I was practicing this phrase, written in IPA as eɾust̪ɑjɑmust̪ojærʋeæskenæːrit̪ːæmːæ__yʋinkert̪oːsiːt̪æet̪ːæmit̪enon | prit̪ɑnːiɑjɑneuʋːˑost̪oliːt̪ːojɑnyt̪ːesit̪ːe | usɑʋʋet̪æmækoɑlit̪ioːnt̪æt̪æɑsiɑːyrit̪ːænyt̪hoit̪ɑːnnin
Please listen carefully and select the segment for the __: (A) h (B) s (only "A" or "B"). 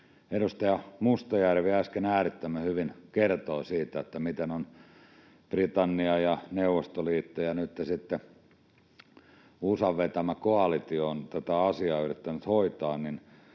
A